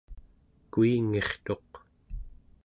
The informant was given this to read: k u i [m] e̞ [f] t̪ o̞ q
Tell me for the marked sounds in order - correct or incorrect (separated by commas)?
incorrect, incorrect